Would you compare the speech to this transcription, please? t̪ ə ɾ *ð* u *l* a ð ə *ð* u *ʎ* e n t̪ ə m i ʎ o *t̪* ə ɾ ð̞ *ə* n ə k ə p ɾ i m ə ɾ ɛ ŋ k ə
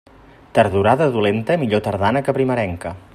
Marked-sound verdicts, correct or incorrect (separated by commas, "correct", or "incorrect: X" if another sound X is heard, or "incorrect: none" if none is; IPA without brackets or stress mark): correct, incorrect: ɾ, correct, incorrect: l, correct, incorrect: a